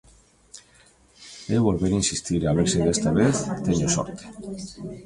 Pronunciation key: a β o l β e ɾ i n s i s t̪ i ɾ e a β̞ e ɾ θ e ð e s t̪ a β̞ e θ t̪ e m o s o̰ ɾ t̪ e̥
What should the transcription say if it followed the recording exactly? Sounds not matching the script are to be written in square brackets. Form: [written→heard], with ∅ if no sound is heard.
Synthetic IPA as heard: [a→e] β o l β e ɾ i n s i s t̪ i ɾ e a β̞ e ɾ [θ→s] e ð e s t̪ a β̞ e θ t̪ e [m→ɲ] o s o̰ ɾ t̪ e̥